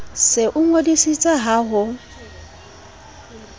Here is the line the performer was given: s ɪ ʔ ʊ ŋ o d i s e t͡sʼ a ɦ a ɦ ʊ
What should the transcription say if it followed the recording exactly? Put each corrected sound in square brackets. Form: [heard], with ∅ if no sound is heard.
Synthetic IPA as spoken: s ɪ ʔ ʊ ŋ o d i s [i] t͡sʼ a ɦ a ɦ ʊ